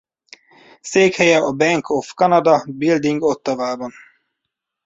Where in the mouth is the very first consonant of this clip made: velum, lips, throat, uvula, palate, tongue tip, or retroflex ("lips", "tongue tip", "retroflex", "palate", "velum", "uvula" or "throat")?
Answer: tongue tip